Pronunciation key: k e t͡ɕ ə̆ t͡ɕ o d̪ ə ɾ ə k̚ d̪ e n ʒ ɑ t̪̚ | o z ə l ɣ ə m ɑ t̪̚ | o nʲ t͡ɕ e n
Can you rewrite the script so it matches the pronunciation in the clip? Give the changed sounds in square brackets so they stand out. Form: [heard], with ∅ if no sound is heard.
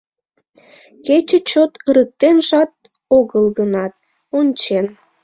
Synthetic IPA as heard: k e t͡ɕ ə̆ t͡ɕ o [t̪] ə ɾ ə k̚ [t̪] e n ʒ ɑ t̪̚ | o [ɣ] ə l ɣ ə [n] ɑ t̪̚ | o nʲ t͡ɕ e n